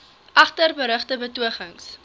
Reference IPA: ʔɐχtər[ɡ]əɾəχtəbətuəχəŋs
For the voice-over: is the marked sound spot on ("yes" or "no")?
no